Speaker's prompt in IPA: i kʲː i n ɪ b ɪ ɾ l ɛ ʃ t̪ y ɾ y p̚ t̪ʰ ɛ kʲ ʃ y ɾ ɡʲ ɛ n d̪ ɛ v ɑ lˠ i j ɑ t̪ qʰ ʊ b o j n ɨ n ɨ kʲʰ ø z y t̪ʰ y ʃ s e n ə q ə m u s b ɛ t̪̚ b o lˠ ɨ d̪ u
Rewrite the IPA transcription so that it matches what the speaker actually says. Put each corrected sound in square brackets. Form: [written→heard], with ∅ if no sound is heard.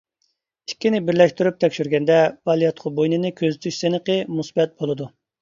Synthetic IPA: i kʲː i n ɪ b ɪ ɾ l ɛ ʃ t̪ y ɾ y p̚ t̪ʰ ɛ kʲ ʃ y ɾ ɡʲ ɛ n d̪ ɛ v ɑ lˠ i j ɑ t̪ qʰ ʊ b o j n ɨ n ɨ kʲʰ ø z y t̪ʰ y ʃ s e n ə q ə m u s b ɛ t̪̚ b o lˠ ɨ d̪ u